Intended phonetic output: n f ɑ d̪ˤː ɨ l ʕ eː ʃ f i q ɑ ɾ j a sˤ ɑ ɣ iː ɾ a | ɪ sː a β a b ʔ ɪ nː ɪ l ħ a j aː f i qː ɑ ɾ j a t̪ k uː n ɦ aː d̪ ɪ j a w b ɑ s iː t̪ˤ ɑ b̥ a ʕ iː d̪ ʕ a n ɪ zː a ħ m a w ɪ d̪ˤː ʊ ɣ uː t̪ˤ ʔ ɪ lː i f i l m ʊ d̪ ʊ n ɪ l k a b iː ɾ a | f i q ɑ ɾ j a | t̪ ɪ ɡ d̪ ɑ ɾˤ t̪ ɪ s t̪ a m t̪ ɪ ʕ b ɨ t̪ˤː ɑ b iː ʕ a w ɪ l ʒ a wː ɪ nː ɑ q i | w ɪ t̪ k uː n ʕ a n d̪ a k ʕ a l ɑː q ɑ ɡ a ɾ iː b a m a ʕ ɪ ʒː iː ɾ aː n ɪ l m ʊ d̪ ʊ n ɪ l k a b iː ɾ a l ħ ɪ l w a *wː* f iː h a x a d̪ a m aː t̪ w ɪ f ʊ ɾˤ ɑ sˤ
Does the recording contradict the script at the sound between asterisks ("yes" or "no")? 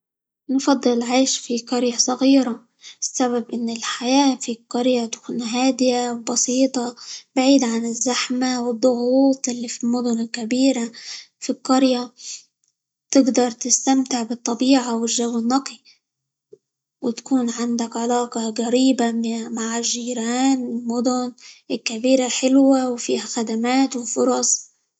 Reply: yes